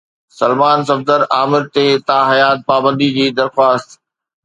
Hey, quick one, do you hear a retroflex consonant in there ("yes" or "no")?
no